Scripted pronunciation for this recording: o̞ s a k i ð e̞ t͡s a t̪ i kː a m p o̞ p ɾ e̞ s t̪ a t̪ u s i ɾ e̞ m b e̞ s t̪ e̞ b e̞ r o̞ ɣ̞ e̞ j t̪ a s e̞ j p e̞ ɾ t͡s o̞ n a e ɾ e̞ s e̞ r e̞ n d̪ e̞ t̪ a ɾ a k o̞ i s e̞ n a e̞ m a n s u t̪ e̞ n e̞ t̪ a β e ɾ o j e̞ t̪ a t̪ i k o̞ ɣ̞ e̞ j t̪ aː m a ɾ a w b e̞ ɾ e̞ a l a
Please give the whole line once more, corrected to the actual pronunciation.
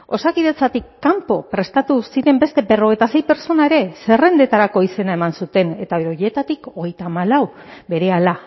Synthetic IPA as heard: o̞ s a k i ð e̞ t͡s a t̪ i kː a m p o̞ p ɾ e̞ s t̪ a t̪ u s i ɾ e̞ m b e̞ s t̪ e̞ b e̞ r o̞ ɣ̞ e̞ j t̪ a s e̞ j p e̞ ɾ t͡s o̞ n a e ɾ e̞ s e̞ r e̞ n d̪ e̞ t̪ a ɾ a k o̞ i s e̞ n a e̞ m a n s u t̪ e̞ n e̞ t̪ a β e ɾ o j e̞ t̪ a t̪ i k o̞ ɣ̞ e̞ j t̪ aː m a l a w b e̞ ɾ e̞ a l a